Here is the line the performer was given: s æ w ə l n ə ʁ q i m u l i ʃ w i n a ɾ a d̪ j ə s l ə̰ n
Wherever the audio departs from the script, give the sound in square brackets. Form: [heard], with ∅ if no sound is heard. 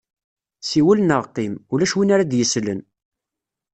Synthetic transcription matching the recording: s [i] w ə l n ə ʁ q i m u l [æ] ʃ w i n a ɾ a d̪ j ə s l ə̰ n